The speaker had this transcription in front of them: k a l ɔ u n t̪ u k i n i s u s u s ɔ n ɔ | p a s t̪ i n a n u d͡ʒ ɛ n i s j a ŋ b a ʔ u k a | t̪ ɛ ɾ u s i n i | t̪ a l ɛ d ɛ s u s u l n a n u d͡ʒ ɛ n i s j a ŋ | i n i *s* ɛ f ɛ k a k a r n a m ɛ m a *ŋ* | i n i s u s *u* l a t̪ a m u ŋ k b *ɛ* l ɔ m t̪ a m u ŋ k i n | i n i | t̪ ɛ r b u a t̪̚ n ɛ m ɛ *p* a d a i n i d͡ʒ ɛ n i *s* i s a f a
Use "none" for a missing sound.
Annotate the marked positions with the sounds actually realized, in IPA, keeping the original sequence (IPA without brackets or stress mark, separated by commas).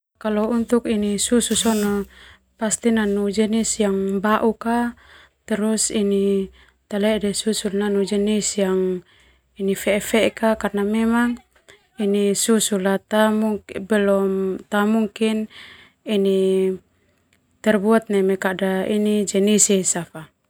f, ŋ, u, ɛ, k, s